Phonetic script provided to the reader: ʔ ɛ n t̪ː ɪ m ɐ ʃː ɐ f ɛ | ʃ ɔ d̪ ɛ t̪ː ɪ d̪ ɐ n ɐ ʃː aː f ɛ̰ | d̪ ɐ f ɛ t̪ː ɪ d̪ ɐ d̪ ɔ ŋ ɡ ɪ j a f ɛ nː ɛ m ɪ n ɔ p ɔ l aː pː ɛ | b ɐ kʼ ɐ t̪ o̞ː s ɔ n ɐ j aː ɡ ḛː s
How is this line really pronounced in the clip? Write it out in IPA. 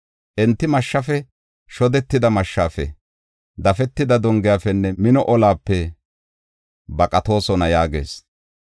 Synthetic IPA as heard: ʔ ɛ n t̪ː ɪ m ɐ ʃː ɐ f ɛ | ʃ ɔ d̪ ɛ t̪ː ɪ d̪ ɐ m ɐ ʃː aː f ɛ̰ | d̪ ɐ f ɛ t̪ː ɪ d̪ ɐ d̪ ɔ ŋ ɡ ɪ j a f ɛ nː ɛ m ɪ n ɔ ʔ ɔ l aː pː ɛ | b ɐ kʼ ɐ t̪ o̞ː s ɔ n ɐ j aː ɡ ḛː s